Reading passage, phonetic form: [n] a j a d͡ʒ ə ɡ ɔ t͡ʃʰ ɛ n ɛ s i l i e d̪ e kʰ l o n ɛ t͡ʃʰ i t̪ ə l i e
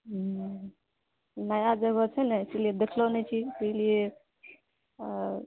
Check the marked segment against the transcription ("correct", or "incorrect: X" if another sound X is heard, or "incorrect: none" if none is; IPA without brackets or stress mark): correct